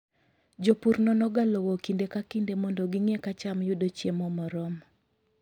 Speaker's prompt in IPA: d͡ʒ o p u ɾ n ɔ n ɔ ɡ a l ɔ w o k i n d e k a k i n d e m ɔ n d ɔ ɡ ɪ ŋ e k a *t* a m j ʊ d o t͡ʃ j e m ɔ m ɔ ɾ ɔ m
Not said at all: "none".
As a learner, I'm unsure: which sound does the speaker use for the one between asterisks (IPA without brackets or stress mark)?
t͡ʃ